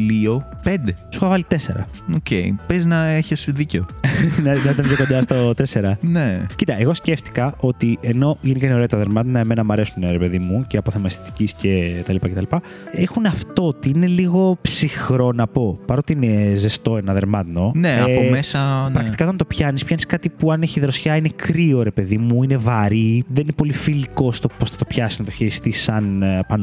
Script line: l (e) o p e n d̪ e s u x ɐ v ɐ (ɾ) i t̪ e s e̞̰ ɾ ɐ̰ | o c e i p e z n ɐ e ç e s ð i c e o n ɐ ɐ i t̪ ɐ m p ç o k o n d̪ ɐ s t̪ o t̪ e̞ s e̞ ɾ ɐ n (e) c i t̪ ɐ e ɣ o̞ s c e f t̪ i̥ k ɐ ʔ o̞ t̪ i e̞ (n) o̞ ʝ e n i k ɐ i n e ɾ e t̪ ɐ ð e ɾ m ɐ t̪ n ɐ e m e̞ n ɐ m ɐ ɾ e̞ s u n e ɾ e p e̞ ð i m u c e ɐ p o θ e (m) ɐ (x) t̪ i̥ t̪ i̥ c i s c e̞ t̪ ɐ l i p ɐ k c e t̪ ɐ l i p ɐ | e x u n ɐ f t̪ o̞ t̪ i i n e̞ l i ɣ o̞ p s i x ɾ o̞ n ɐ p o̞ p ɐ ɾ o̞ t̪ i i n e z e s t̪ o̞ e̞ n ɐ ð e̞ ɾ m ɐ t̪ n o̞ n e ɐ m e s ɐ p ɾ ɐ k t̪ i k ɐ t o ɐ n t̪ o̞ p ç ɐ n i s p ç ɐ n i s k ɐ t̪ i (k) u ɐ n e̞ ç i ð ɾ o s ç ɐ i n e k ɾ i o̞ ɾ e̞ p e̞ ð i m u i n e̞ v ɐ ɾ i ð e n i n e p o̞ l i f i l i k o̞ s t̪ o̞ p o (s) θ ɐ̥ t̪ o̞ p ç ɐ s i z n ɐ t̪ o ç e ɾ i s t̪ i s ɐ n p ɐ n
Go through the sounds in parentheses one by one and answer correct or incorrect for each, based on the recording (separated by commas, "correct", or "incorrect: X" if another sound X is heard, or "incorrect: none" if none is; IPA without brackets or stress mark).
incorrect: i, incorrect: l, correct, correct, correct, incorrect: s, incorrect: p, correct